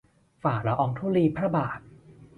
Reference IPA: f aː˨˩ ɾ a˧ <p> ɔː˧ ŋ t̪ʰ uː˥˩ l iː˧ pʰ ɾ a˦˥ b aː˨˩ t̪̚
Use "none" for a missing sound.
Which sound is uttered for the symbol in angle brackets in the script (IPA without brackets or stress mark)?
ʔ